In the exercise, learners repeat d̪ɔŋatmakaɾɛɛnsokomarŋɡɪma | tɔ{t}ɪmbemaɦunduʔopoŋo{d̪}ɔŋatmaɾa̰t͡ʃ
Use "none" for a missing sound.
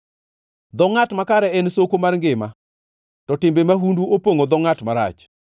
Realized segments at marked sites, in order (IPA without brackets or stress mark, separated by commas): t, d̪